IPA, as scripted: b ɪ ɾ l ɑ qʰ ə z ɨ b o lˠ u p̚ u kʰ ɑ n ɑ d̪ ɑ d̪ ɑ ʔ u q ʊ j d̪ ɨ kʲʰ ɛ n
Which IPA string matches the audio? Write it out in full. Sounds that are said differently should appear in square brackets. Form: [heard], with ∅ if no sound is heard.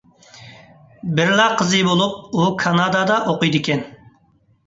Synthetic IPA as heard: b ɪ ɾ l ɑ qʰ ə z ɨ b o lˠ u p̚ u kʰ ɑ n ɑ d̪ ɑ d̪ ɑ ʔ [o] q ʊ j d̪ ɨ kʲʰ ɛ n